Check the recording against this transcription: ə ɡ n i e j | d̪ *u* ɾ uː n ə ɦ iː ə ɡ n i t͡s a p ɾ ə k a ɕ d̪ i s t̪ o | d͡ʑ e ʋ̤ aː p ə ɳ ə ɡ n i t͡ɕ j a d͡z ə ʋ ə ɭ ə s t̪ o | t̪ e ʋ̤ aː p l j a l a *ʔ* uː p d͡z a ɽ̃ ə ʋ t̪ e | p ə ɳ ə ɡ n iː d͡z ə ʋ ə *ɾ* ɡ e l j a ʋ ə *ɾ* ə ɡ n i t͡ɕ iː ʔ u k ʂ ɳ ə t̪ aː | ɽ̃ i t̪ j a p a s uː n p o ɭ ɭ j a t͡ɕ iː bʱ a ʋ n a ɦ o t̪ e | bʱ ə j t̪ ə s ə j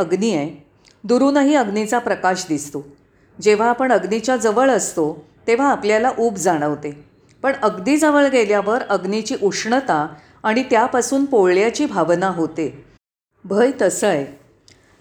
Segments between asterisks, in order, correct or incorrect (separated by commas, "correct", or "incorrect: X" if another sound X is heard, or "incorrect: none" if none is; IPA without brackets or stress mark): correct, correct, incorrect: ɭ, correct